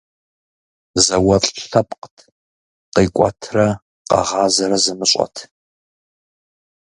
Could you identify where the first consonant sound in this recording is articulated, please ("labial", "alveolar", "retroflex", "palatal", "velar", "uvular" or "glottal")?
alveolar